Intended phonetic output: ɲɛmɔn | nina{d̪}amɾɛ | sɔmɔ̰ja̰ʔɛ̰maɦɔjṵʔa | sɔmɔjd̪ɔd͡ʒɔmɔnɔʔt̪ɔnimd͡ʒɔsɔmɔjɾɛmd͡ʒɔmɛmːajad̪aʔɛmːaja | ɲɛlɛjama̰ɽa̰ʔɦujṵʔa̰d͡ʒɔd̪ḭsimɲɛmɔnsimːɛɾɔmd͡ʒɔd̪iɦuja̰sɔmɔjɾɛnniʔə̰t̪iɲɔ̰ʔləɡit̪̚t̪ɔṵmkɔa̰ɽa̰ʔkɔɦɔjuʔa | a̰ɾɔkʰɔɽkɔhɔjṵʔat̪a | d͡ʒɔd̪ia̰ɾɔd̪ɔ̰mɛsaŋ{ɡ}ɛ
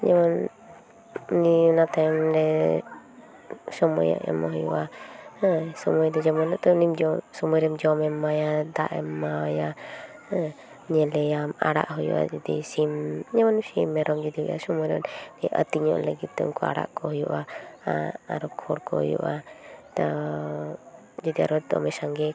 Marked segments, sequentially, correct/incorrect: incorrect: t̪, correct

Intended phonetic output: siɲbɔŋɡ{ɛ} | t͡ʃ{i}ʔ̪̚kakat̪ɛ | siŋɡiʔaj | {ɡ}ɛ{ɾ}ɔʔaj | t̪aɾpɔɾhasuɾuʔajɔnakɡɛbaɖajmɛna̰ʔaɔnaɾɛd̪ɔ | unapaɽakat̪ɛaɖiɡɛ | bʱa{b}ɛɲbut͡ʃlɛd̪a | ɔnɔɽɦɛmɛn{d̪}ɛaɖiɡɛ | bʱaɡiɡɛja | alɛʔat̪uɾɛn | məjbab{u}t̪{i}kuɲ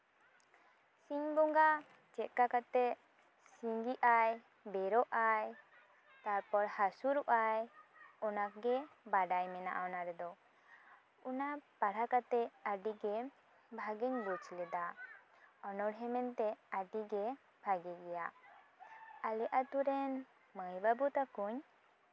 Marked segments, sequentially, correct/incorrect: incorrect: a, incorrect: ɛ, incorrect: b, correct, incorrect: ɡ, incorrect: t̪, correct, incorrect: a

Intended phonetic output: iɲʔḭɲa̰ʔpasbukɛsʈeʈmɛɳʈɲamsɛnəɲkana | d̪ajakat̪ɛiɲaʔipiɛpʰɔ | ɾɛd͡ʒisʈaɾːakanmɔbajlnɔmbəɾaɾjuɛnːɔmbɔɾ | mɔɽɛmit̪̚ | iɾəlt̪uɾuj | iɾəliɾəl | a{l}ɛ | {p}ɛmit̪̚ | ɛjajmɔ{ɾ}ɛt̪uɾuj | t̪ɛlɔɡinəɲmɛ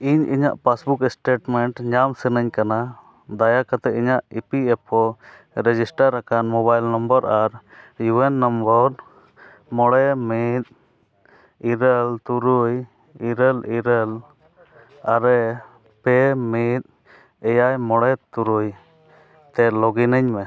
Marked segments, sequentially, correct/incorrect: incorrect: ɾ, correct, incorrect: ɽ

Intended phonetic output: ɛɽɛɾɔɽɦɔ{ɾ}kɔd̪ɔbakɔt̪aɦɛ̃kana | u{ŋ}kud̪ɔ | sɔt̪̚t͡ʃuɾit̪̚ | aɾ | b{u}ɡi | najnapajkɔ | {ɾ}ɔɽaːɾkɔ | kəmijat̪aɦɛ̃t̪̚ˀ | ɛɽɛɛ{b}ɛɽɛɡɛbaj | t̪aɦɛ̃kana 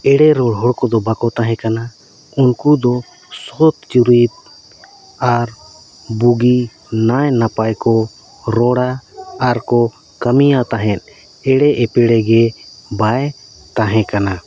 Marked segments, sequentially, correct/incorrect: incorrect: ɽ, incorrect: n, correct, correct, incorrect: p

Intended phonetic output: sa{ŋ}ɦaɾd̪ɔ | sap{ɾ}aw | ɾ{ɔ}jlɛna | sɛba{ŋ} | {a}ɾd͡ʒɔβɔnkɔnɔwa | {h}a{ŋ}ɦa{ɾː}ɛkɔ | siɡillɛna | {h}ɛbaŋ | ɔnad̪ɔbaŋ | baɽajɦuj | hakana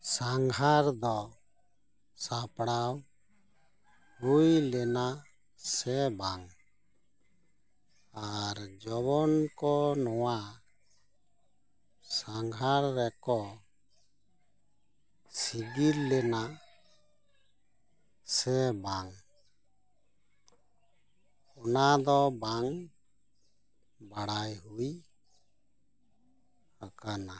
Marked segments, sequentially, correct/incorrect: correct, incorrect: ɽ, incorrect: u, correct, correct, incorrect: s, correct, correct, incorrect: s

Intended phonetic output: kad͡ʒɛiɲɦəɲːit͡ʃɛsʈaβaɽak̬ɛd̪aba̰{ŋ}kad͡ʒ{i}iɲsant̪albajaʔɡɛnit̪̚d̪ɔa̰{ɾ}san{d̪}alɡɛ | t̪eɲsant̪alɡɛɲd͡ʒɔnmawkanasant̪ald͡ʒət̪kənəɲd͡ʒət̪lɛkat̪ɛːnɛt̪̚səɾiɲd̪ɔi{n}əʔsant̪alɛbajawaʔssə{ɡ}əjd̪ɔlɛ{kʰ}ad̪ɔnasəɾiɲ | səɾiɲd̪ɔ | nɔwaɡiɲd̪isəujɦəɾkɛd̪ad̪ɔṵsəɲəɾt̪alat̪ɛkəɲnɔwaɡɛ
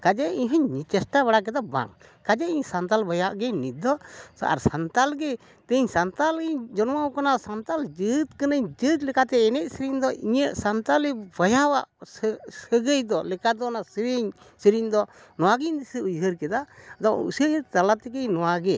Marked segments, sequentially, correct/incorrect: correct, incorrect: ɛ, correct, incorrect: t̪, incorrect: ɲ, correct, incorrect: k

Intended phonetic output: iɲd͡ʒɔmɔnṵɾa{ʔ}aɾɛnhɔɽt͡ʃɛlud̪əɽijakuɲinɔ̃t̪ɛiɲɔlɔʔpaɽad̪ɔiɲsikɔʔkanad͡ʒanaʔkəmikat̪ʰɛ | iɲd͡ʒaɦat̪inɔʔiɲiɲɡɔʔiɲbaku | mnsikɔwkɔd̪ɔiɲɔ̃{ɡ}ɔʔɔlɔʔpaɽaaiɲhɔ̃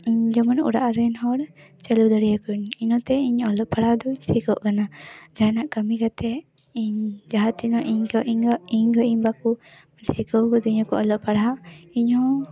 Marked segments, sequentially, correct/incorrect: correct, incorrect: k

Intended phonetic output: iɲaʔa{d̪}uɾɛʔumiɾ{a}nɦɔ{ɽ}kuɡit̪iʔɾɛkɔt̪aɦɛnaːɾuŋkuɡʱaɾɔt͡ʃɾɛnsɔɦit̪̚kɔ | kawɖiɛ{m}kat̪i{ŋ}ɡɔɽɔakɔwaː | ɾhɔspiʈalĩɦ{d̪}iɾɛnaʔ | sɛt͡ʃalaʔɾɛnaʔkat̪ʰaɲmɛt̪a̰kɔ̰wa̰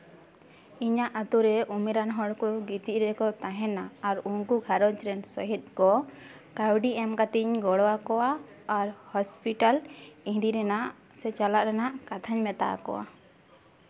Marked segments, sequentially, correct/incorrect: incorrect: t̪, correct, correct, correct, incorrect: ɲ, correct

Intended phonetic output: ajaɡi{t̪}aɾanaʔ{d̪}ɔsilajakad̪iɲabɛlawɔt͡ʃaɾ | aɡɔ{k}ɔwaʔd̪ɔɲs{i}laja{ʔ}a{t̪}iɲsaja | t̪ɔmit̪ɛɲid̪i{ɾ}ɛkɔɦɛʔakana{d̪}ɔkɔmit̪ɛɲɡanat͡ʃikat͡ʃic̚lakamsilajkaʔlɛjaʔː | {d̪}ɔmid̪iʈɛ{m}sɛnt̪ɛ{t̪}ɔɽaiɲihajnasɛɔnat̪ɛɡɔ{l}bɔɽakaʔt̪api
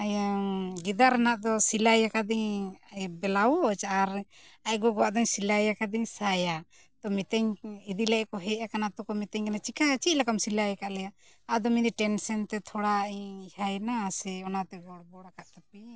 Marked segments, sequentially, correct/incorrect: incorrect: d̪, correct, incorrect: ɡ, correct, incorrect: k, incorrect: d̪, incorrect: l, incorrect: t̪, correct, incorrect: n, incorrect: t̪ʰ, incorrect: ɽ

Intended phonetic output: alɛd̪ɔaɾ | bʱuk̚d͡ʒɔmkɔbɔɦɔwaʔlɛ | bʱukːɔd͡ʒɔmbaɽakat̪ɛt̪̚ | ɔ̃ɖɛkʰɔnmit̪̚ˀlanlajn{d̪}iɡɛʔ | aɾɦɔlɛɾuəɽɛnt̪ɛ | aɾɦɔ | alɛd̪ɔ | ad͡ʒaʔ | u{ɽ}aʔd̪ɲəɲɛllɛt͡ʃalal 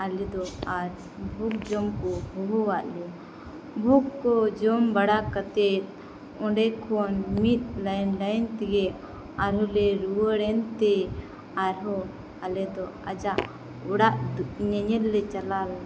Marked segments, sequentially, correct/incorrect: incorrect: t̪, correct

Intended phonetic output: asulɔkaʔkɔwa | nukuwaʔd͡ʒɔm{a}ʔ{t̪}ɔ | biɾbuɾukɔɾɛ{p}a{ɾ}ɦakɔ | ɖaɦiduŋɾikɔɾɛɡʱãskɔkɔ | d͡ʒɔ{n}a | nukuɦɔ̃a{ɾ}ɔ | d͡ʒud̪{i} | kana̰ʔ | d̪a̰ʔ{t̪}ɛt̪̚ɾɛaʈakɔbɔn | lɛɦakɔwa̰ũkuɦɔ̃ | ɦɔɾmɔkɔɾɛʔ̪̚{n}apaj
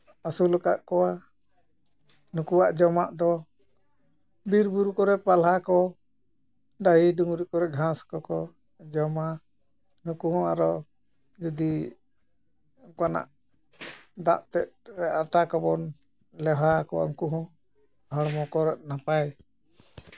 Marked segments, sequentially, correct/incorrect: correct, incorrect: d̪, correct, incorrect: l, incorrect: m, correct, correct, correct, correct

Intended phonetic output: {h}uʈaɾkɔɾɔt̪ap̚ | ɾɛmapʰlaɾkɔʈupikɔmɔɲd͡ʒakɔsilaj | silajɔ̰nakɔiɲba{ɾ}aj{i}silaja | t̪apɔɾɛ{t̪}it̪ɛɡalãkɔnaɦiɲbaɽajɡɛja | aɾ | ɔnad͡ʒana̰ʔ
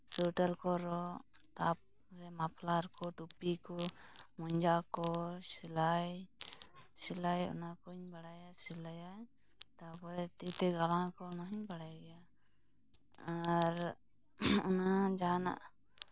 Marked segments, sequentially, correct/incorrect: incorrect: s, incorrect: ɽ, incorrect: a, correct

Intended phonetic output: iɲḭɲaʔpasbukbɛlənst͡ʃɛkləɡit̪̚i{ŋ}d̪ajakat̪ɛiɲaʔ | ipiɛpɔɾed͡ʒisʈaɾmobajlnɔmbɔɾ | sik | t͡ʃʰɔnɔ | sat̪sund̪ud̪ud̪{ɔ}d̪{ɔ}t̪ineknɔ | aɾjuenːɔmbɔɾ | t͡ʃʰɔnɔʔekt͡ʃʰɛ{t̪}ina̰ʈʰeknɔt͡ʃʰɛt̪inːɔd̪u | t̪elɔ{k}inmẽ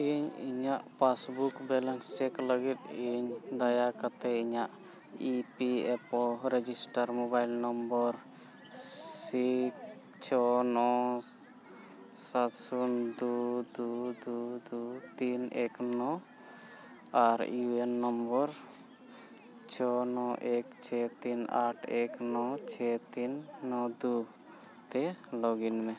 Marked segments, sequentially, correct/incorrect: incorrect: ɲ, incorrect: u, incorrect: u, correct, incorrect: ɡ

